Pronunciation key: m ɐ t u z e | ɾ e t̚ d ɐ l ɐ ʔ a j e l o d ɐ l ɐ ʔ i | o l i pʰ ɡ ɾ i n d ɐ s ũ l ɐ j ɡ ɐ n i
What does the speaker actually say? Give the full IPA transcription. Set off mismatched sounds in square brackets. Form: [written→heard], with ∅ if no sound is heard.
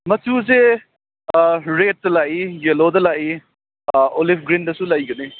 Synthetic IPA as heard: m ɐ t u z e | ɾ e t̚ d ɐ l [ɐ→a] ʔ [a→i] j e l o d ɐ l [ɐ→a] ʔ i | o l i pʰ ɡ ɾ i n d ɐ s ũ l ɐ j ɡ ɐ n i